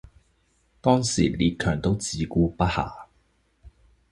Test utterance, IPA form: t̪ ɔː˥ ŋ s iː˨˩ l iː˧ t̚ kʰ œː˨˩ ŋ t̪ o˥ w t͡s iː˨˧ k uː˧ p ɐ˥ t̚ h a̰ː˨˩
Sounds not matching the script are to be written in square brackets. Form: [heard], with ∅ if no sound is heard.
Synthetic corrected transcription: t̪ ɔː˥ ŋ s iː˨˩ l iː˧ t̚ kʰ œː˨˩ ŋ t̪ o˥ w t͡s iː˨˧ k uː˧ p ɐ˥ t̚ h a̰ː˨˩

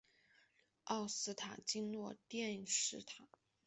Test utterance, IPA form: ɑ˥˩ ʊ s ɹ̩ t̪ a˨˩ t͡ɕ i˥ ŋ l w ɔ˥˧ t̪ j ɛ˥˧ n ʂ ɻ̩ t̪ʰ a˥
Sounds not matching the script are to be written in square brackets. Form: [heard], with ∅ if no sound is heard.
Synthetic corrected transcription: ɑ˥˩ ʊ s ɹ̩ [t̪ʰ] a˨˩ t͡ɕ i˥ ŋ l w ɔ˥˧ t̪ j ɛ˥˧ n ʂ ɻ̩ t̪ʰ [a˨˩˦]

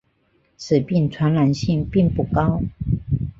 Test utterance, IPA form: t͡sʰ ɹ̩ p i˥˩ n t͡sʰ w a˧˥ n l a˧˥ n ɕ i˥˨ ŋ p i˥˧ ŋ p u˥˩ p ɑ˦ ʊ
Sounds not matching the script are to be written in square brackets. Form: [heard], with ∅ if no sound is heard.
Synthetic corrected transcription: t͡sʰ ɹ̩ p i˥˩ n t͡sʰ w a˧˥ n l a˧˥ n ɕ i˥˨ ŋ p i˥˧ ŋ p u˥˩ [k] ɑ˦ ʊ

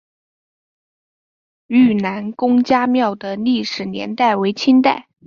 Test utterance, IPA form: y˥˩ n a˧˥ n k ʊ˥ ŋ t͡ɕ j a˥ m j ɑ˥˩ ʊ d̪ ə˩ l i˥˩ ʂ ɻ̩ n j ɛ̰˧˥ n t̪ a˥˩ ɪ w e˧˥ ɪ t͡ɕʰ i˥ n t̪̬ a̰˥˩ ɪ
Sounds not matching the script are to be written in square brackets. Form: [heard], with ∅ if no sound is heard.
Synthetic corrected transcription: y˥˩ n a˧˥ n k ʊ˥ ŋ t͡ɕ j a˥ m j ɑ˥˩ ʊ d̪ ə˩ l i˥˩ ʂ ɻ̩ n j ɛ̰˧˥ n t̪ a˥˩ ɪ w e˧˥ ɪ t͡ɕʰ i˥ n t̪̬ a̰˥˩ ɪ

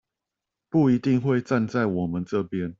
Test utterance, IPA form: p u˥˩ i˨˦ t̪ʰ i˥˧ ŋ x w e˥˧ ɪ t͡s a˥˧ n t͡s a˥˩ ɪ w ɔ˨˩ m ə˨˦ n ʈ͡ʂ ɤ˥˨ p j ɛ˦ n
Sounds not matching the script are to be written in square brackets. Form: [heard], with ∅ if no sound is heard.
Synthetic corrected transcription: p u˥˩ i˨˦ [t̪] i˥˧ ŋ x w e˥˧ ɪ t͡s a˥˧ n t͡s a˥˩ ɪ w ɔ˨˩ m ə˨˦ n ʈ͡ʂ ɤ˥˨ p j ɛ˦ n

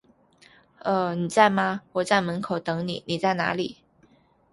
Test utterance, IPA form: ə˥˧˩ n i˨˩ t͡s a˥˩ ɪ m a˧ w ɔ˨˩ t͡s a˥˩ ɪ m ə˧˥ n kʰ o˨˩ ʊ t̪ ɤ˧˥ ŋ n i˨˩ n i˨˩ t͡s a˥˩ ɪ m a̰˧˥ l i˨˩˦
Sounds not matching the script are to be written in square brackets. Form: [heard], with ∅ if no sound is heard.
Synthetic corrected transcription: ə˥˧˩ n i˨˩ t͡s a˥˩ ɪ m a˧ w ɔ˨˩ t͡s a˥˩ ɪ m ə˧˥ n kʰ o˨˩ ʊ t̪ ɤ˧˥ ŋ n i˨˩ n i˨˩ t͡s a˥˩ ɪ [n] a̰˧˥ l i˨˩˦

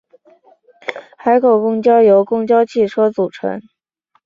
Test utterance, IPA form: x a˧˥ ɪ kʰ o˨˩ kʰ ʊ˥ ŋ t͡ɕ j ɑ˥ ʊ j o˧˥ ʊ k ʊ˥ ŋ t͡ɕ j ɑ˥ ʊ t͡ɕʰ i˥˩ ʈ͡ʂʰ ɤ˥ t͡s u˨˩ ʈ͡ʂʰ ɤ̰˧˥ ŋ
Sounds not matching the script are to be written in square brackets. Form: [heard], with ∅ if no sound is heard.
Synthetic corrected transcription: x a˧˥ ɪ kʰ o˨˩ [k] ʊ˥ ŋ t͡ɕ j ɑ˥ ʊ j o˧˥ ʊ k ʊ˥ ŋ t͡ɕ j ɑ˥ ʊ t͡ɕʰ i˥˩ ʈ͡ʂʰ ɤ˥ t͡s u˨˩ ʈ͡ʂʰ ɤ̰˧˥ ŋ

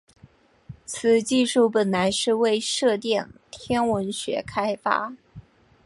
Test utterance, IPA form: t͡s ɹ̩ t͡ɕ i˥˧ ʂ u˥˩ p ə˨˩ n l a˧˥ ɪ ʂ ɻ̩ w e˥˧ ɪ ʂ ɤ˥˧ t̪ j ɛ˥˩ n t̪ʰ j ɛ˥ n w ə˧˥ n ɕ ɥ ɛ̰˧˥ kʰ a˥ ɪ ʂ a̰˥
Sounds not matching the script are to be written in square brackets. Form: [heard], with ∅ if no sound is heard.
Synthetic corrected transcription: [t͡sʰ] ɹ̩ t͡ɕ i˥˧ ʂ u˥˩ p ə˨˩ n l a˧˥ ɪ ʂ ɻ̩ w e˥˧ ɪ ʂ ɤ˥˧ t̪ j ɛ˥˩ n t̪ʰ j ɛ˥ n w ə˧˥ n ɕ ɥ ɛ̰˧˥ kʰ a˥ ɪ [f] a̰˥

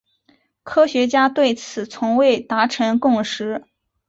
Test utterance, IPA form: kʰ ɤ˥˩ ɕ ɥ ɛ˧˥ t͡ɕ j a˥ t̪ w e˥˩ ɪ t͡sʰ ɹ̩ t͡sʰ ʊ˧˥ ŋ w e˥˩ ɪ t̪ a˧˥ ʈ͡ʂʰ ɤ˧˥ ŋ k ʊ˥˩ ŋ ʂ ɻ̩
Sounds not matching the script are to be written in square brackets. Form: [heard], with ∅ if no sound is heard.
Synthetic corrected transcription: kʰ [ɤ˥] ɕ ɥ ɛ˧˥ t͡ɕ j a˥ t̪ w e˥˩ ɪ t͡sʰ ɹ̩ t͡sʰ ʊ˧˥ ŋ w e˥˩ ɪ t̪ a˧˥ ʈ͡ʂʰ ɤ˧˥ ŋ k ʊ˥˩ ŋ ʂ ɻ̩

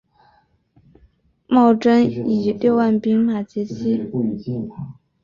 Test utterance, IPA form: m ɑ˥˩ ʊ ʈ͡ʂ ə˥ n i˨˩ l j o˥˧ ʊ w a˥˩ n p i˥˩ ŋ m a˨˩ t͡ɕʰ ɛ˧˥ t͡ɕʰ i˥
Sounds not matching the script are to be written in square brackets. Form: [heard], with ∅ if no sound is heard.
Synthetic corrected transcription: m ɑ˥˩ ʊ ʈ͡ʂ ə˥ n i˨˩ l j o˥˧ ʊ w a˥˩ n p [i˥] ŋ m a˨˩ [t͡ɕ] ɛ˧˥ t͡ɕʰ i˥

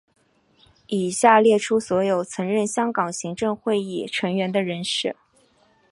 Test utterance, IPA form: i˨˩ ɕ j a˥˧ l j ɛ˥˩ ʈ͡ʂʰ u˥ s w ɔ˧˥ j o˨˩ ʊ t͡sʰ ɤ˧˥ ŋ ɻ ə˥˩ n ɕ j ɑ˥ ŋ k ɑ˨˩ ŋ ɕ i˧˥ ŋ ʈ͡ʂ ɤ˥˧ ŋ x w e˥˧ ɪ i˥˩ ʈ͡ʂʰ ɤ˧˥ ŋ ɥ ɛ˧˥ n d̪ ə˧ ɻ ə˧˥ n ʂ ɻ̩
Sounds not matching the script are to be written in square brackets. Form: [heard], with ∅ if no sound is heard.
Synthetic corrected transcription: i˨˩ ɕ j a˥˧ l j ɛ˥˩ ʈ͡ʂʰ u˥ s w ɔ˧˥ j o˨˩ ʊ t͡sʰ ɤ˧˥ ŋ ɻ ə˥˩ n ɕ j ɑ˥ ŋ k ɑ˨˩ ŋ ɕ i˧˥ ŋ ʈ͡ʂ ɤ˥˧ ŋ x w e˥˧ ɪ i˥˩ ʈ͡ʂʰ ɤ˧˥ ŋ ɥ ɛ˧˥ n d̪ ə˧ ɻ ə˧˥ n ʂ ɻ̩

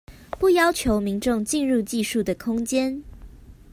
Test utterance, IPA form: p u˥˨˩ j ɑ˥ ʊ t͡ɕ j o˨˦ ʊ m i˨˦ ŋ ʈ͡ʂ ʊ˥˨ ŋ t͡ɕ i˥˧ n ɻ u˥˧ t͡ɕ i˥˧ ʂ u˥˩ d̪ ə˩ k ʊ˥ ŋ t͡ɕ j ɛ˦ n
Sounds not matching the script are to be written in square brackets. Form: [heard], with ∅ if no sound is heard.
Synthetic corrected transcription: p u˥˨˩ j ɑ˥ ʊ [t͡ɕʰ] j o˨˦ ʊ m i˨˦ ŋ ʈ͡ʂ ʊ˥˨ ŋ t͡ɕ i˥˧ n ɻ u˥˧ t͡ɕ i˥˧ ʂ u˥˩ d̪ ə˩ [kʰ] ʊ˥ ŋ t͡ɕ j ɛ˦ n

